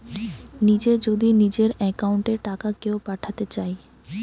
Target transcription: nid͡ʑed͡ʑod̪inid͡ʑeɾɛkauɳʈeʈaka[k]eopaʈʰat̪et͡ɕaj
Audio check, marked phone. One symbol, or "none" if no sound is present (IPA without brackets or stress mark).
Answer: k